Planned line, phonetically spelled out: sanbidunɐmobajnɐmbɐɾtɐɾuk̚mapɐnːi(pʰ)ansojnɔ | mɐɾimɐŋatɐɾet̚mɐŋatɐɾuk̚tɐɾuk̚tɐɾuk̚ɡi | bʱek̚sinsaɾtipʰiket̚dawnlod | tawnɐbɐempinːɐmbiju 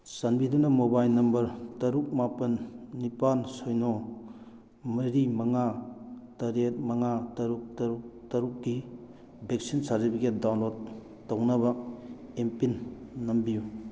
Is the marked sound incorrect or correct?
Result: incorrect